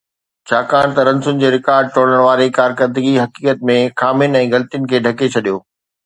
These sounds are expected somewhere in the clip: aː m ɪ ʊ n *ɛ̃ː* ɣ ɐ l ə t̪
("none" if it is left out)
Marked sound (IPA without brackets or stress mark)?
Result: ɛ̃ː